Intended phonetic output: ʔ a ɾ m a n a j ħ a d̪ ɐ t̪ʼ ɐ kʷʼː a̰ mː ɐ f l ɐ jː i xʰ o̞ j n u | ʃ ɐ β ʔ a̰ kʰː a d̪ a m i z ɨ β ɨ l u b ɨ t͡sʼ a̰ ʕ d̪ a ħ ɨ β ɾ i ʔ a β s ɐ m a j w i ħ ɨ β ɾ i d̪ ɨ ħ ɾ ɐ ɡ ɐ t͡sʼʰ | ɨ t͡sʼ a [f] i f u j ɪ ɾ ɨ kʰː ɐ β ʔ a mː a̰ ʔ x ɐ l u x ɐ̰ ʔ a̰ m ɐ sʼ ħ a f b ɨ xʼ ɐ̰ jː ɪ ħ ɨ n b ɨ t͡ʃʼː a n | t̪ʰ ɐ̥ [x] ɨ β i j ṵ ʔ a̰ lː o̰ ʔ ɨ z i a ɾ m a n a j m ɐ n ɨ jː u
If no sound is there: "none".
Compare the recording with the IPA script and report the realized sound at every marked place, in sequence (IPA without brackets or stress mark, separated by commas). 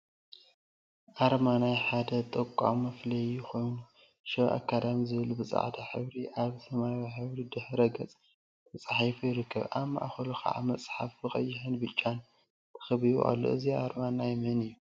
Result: ħ, x